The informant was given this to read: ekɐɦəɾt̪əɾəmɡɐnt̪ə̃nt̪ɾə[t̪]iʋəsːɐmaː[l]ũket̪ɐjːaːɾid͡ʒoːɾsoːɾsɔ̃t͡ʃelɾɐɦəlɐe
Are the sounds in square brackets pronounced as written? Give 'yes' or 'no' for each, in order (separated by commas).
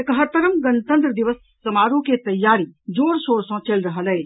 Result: no, no